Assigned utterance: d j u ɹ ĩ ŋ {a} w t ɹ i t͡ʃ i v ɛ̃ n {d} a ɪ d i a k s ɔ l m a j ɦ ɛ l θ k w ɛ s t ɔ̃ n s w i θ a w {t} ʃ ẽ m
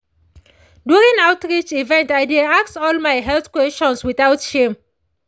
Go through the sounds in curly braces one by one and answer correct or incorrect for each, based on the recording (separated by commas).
correct, incorrect, correct